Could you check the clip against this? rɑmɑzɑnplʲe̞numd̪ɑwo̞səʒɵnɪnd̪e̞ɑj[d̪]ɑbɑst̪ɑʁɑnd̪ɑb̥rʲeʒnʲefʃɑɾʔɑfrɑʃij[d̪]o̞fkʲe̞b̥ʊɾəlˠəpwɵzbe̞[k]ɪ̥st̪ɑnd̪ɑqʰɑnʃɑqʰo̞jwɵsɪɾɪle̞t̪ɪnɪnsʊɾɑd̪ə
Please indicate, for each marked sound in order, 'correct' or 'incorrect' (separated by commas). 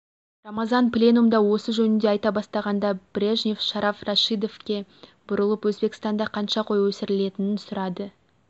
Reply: incorrect, correct, correct